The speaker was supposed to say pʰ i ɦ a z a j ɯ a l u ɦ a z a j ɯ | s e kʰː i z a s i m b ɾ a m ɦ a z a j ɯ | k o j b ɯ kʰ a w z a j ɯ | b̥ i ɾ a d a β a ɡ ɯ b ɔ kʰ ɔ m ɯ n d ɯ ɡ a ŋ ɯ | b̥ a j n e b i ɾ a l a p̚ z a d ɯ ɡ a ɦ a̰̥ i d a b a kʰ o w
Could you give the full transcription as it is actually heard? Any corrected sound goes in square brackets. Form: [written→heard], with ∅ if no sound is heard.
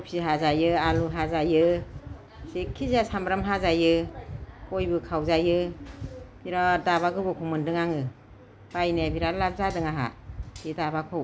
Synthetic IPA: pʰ i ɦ a z a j ɯ a l u ɦ a z a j ɯ | s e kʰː i z a s [i→a] m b ɾ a m ɦ a z a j ɯ | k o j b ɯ kʰ a w z a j ɯ | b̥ i ɾ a d a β a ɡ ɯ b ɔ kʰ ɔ m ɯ n d ɯ [ɡ→ŋ] a ŋ ɯ | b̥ a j n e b i ɾ a l a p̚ z a d ɯ [ɡ→ŋ] a ɦ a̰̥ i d a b a kʰ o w